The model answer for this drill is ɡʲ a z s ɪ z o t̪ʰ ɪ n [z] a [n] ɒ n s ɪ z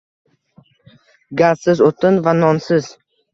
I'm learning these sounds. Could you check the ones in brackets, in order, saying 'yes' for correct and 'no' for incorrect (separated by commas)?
no, yes